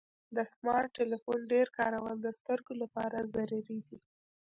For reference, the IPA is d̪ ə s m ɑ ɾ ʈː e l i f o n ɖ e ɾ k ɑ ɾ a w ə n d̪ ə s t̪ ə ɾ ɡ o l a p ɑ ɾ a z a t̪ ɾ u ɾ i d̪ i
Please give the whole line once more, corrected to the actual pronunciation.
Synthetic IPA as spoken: d̪ ə s m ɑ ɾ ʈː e l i f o n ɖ e ɾ k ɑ ɾ a w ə n d̪ ə s t̪ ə ɾ ɡ o l a p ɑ ɾ a z a ɾ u ɾ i d̪ i